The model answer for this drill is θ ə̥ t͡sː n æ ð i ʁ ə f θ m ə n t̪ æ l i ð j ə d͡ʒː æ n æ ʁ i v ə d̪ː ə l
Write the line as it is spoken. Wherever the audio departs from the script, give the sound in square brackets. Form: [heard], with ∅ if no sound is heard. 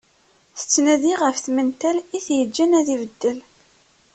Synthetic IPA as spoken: θ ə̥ t͡sː n æ ð i ʁ ə f θ m ə n t̪ æ l i [θ] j ə d͡ʒː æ n æ [ð] i v ə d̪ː ə l